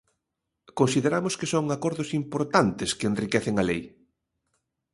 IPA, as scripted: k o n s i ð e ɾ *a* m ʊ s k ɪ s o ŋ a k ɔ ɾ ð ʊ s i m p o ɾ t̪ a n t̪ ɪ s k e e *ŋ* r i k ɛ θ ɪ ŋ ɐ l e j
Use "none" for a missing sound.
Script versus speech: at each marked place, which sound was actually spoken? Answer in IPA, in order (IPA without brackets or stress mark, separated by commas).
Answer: a, n